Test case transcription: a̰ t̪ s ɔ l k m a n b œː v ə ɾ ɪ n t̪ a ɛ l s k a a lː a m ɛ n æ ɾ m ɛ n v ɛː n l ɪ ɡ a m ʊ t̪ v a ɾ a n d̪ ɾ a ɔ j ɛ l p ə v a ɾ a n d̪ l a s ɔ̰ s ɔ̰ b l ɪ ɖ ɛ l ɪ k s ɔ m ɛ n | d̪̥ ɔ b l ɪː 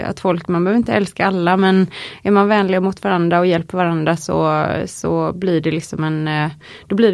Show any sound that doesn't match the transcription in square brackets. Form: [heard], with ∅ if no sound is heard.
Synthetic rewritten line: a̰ t̪ [f] ɔ l k m a n b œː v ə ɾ ɪ n t̪ [ə] ɛ l s k a a lː a m ɛ n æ ɾ m [a] n v ɛː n l ɪ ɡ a m ʊ t̪ v a ɾ a n d̪ ɾ a ɔ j ɛ l p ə v a ɾ a n d̪ [ɾ] a s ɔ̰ s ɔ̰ b l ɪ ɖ ɛ l ɪ k s ɔ m ɛ n | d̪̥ ɔ b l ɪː